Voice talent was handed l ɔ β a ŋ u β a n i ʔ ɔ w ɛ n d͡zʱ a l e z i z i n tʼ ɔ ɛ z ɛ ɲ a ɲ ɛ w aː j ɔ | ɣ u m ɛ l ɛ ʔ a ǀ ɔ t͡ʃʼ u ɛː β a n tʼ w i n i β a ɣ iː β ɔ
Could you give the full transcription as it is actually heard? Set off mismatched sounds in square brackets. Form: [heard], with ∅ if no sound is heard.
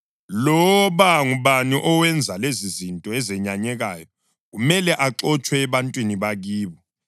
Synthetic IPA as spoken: l ɔ β a ŋ u β a n i ʔ ɔ w ɛ n d͡zʱ a l e z i z i n tʼ ɔ ɛ z ɛ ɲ a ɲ ɛ [ɣ] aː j ɔ | ɣ u m ɛ l ɛ ʔ a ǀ ɔ t͡ʃʼ [w] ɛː β a n tʼ w i n i β a ɣ iː β ɔ